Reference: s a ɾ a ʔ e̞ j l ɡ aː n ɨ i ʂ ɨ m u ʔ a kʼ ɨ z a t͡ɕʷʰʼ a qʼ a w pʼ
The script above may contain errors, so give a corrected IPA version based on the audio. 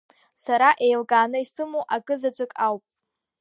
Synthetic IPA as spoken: s a ɾ a ʔ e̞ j l ɡ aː n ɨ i s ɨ m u ʔ a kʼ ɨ z a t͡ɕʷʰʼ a kʼ a w pʼ